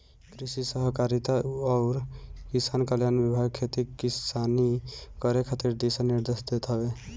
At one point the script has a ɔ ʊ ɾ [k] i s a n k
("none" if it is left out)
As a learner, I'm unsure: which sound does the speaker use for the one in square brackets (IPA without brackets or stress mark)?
k